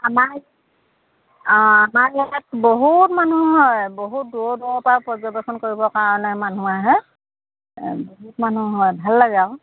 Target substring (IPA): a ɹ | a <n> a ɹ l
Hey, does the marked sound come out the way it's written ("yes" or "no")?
no